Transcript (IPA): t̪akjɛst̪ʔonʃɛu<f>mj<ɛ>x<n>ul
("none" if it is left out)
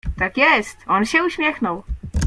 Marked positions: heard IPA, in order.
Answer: ʃ, ɛ, n

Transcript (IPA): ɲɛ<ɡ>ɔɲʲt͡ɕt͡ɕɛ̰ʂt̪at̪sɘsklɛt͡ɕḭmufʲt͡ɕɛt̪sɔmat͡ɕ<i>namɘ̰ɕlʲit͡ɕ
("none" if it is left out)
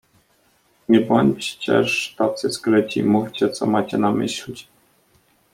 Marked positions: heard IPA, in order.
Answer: b, ɛ

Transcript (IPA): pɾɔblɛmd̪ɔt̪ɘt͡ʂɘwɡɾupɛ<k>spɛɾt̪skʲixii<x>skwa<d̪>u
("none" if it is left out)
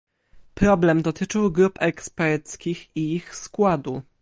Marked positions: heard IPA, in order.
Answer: k, x, d̪

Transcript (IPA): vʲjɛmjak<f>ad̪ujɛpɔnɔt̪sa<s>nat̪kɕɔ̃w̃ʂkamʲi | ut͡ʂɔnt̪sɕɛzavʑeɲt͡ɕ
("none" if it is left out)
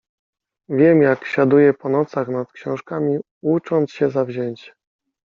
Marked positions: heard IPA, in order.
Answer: ɕ, x

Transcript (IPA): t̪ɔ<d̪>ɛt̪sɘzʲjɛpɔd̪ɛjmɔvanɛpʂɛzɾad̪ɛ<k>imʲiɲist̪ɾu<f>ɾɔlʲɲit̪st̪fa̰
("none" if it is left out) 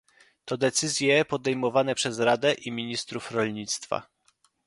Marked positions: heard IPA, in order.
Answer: d̪, ʔ, f

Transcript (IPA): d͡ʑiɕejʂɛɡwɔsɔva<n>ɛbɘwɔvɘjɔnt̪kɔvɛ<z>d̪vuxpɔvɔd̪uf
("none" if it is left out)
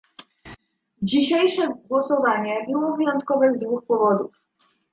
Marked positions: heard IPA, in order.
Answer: ɲ, z

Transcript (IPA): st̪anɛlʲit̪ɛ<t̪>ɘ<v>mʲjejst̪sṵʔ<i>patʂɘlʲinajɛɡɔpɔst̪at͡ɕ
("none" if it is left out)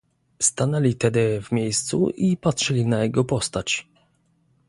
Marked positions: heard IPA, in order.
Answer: d̪, v, i

